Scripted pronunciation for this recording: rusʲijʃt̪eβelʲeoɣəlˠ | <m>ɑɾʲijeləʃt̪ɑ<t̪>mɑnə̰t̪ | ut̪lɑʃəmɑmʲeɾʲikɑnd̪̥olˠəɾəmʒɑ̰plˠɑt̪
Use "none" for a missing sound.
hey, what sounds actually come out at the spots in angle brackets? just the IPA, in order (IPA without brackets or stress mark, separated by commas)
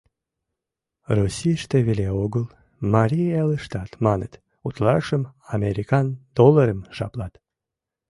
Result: m, t̪